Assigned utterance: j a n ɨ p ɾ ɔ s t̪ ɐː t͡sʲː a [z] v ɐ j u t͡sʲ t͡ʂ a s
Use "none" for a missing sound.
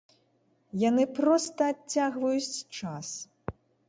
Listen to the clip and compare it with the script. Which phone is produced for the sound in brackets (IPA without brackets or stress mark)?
ɣ